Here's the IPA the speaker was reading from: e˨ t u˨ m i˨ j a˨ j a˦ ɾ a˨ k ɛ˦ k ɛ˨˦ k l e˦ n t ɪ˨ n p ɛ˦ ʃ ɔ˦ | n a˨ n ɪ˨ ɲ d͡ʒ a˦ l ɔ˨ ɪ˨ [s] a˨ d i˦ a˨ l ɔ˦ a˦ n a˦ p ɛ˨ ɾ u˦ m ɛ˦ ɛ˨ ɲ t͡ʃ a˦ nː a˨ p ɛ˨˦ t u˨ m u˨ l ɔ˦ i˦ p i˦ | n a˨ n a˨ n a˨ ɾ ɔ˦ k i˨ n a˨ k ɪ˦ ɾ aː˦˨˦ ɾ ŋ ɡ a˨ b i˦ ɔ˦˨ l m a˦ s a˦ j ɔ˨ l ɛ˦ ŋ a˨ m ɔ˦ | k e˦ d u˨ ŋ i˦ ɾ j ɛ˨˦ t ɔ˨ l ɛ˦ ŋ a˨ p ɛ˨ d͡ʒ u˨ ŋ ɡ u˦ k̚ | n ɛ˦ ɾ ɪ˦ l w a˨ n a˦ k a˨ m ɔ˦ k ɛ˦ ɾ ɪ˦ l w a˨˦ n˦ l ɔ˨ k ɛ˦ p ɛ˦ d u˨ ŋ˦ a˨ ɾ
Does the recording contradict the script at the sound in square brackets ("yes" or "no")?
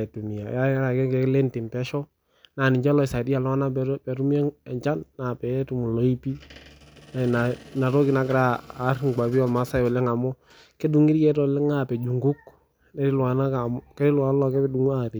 no